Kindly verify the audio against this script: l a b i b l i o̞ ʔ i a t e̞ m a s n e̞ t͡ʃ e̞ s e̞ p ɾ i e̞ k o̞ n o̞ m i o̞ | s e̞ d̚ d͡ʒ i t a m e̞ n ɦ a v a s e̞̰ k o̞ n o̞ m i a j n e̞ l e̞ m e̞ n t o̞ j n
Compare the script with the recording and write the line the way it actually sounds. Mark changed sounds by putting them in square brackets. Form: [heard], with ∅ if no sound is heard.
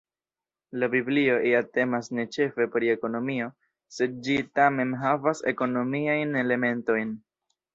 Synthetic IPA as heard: l a b i b l i o̞ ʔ i a t e̞ m a s n e̞ t͡ʃ e̞ [f] e̞ p ɾ i e̞ k o̞ n o̞ m i o̞ | s e̞ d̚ d͡ʒ i t a m e̞ n ɦ a v a s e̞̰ k o̞ n o̞ m i a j n e̞ l e̞ m e̞ n t o̞ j n